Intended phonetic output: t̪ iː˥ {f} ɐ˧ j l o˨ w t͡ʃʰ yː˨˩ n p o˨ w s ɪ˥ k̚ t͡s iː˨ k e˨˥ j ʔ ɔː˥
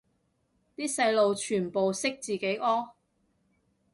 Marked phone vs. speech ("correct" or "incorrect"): incorrect